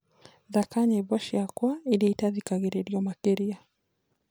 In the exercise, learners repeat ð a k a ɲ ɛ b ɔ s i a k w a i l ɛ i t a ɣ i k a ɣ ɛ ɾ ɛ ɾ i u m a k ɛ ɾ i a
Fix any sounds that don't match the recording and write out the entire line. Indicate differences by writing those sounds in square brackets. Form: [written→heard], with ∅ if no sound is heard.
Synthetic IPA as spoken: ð a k a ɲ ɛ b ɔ [s→ʃ] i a k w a i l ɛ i t a [ɣ→ð] i k a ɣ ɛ ɾ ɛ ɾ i [u→ɔ] m a k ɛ ɾ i a